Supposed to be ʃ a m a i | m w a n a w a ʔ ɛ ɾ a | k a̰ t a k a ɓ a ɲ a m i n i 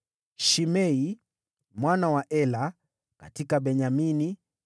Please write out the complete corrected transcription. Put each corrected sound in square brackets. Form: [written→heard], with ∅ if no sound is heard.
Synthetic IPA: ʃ [a→i] m [a→ɛ] i | m w a n a w a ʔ ɛ [ɾ→l] a | k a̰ t [a→i] k a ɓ [a→ɛ] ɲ a m i n i